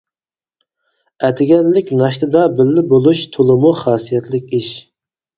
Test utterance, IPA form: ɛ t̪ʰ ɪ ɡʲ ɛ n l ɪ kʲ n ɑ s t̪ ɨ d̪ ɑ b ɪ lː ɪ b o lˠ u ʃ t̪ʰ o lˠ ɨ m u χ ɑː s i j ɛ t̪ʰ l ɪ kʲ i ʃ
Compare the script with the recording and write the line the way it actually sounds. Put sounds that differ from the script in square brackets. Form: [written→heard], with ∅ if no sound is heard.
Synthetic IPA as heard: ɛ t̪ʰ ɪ ɡʲ ɛ n l ɪ kʲ n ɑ [s→ʃ] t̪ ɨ d̪ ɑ b ɪ lː ɪ b o lˠ u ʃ t̪ʰ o lˠ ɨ m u χ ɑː s i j ɛ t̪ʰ l ɪ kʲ i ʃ

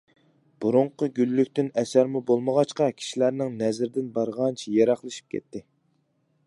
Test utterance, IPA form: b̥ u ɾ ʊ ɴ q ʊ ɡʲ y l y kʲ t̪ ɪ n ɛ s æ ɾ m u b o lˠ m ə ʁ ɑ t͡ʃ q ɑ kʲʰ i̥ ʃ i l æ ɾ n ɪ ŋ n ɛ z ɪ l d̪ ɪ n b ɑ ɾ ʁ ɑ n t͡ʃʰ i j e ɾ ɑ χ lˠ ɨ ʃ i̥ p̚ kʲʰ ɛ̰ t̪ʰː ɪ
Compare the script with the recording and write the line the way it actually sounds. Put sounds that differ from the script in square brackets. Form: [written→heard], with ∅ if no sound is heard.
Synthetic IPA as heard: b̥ u ɾ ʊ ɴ q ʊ ɡʲ y [l→lː] y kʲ t̪ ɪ n ɛ s æ ɾ m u b o lˠ m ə ʁ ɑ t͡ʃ q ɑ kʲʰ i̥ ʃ i l æ ɾ n ɪ ŋ n ɛ z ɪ [l→ɾ] d̪ ɪ n b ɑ ɾ ʁ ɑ n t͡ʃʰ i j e ɾ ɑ χ lˠ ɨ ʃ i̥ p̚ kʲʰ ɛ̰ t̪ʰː ɪ

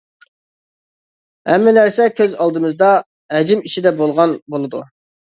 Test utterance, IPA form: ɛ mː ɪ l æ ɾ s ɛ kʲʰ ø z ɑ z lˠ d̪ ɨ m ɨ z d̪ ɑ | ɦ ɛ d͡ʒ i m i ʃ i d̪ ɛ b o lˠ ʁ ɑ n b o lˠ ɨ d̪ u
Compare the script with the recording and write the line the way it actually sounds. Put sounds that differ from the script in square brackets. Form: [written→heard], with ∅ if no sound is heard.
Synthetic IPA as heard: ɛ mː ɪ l æ ɾ s ɛ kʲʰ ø z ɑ [z→∅] lˠ d̪ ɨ m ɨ z d̪ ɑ | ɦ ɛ d͡ʒ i m i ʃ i d̪ ɛ b o lˠ ʁ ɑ n b o lˠ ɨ d̪ u

